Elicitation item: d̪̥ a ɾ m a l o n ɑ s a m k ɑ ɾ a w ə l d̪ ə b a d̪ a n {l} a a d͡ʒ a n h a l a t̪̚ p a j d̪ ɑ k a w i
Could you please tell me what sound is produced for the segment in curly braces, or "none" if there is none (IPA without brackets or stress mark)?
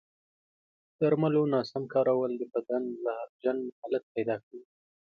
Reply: l